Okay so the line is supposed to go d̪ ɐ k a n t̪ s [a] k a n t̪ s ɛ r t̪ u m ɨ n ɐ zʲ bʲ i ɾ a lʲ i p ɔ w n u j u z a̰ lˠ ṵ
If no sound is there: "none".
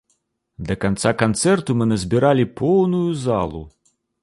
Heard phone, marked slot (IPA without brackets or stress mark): a